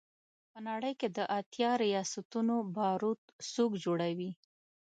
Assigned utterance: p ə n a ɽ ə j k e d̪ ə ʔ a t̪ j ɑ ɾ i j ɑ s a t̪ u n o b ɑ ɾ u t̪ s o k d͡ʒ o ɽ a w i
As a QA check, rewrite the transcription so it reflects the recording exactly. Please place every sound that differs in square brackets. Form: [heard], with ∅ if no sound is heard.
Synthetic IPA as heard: p ə n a ɽ ə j k e d̪ ə ʔ a t̪ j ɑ ɾ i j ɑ s a t̪ u n o b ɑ ɾ u t̪ s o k d͡ʒ o ɽ a w i